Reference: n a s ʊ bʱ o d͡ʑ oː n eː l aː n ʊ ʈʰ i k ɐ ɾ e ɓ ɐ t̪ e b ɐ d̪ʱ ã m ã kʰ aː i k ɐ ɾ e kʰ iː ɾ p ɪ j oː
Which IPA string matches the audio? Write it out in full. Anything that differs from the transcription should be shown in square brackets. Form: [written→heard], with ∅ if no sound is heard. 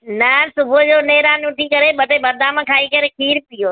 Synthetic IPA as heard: n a s ʊ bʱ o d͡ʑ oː n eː [l→ɾ] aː n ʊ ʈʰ i k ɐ ɾ e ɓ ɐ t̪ e b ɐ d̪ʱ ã m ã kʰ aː i k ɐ ɾ e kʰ iː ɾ p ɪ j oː